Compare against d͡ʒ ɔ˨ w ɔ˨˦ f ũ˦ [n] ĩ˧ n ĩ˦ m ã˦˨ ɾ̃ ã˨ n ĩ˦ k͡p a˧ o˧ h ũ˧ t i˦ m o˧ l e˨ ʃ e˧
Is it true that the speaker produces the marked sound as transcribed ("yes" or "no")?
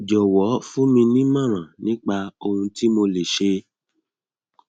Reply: no